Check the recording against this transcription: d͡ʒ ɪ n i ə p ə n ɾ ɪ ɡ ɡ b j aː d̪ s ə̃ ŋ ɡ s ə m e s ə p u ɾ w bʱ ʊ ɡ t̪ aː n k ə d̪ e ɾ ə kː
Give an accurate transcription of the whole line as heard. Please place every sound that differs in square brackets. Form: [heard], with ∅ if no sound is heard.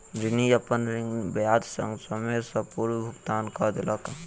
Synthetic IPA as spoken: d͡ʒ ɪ n i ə p ə n ɾ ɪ [ŋ] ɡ b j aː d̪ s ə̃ ŋ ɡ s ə m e s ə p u ɾ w bʱ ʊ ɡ t̪ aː n k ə d̪ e [l] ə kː